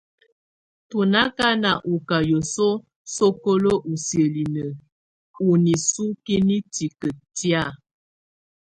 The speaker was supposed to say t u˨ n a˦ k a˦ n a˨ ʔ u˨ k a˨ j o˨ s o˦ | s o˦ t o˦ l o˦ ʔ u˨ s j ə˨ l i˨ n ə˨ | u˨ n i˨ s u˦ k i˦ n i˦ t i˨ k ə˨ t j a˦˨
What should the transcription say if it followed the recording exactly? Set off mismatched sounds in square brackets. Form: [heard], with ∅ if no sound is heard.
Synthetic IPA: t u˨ n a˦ k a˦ n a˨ ʔ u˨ k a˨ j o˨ s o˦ | s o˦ [k] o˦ l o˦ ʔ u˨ s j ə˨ l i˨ n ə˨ | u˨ n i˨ s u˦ k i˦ n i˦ t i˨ k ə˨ t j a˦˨